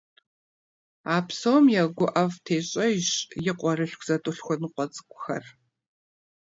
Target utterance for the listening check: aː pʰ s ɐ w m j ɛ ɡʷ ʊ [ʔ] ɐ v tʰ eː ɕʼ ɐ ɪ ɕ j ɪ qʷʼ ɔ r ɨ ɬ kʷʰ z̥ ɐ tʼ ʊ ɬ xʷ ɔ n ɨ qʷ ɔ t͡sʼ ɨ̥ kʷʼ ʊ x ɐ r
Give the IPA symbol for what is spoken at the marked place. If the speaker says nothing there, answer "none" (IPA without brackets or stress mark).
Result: ʔ